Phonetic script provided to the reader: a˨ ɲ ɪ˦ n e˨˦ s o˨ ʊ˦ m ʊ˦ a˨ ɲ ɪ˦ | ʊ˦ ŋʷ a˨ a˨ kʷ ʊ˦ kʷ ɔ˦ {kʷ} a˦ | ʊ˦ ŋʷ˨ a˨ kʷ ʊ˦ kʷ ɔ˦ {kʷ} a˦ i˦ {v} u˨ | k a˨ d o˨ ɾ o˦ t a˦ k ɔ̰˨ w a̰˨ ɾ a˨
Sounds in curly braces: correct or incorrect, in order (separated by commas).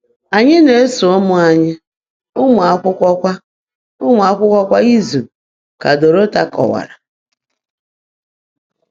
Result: correct, correct, incorrect